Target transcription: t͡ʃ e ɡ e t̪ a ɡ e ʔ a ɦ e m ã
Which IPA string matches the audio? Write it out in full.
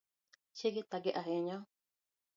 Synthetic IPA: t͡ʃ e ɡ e t̪ a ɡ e ʔ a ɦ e ɲ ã